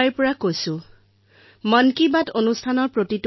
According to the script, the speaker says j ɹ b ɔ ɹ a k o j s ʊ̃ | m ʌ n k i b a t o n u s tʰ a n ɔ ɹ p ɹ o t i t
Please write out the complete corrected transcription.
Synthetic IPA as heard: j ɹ p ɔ ɹ a k o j s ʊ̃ | m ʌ n k i b a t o n u s tʰ a n ɔ ɹ p ɹ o t i t